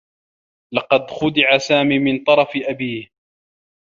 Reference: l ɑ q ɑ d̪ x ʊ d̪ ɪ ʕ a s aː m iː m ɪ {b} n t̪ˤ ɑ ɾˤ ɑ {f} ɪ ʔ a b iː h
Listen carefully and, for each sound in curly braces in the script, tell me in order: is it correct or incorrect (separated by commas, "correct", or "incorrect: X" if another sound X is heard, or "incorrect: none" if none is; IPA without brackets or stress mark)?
incorrect: none, correct